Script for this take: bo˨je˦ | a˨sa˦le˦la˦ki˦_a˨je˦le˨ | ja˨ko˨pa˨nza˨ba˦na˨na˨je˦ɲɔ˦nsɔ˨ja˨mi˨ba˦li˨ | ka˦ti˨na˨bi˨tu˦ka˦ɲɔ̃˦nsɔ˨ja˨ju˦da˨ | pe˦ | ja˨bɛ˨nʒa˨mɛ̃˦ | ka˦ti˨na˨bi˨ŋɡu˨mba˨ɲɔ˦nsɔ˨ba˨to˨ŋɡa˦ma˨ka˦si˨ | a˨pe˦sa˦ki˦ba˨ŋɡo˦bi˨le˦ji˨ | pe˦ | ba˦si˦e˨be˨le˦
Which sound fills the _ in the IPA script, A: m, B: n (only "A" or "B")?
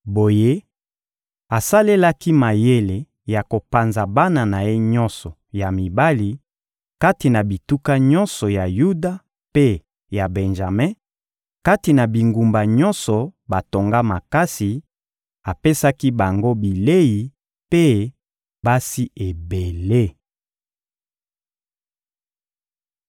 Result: A